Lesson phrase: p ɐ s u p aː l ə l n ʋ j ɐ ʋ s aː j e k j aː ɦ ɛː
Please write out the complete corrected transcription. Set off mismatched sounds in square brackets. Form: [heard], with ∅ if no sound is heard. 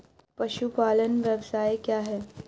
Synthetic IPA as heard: p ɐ [ʃ] u p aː l ə [∅] n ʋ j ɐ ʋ s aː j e k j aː ɦ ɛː